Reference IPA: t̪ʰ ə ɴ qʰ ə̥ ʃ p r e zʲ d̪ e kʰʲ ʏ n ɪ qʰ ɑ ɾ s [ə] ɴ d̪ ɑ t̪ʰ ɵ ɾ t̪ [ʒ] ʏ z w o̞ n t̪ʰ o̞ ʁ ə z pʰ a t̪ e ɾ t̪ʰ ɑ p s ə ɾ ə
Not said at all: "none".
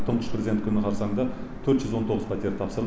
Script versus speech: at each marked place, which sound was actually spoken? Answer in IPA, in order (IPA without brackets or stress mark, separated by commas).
ɑ, ʒ